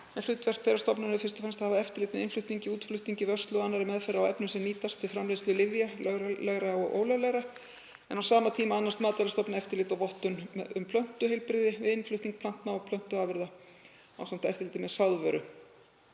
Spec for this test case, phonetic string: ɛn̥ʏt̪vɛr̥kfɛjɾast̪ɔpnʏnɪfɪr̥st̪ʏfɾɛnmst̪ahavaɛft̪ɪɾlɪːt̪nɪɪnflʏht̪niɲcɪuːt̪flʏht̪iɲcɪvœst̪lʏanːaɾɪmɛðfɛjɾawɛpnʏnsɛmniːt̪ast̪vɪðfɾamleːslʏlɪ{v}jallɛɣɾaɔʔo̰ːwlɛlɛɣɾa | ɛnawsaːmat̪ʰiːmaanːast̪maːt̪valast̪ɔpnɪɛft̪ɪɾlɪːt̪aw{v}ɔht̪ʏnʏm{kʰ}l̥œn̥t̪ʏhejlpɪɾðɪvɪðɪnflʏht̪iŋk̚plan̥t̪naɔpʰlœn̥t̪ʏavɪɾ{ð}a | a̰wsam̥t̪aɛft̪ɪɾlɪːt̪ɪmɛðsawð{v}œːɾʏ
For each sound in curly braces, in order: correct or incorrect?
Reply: correct, correct, incorrect: pʰ, correct, correct

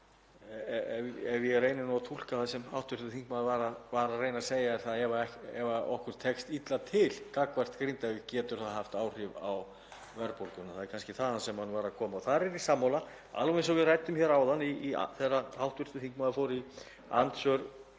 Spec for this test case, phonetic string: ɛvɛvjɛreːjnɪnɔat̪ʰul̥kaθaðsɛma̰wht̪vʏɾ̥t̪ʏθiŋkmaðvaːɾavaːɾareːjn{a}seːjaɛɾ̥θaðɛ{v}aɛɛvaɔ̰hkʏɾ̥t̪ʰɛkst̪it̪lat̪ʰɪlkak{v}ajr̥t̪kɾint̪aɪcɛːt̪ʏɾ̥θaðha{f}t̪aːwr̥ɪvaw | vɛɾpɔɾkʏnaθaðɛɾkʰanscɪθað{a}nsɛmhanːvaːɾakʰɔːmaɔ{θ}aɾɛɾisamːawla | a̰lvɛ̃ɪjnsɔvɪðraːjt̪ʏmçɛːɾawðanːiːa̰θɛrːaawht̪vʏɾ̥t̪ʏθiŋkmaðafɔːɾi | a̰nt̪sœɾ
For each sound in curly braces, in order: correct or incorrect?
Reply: correct, correct, correct, correct, correct, correct

